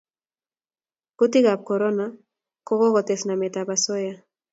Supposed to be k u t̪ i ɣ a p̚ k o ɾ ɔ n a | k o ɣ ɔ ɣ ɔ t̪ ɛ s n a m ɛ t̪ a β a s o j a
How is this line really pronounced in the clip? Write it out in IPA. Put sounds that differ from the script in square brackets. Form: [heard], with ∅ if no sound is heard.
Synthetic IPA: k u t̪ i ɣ a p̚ k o ɾ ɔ n a | k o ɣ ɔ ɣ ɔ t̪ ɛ s n a m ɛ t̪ a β a s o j a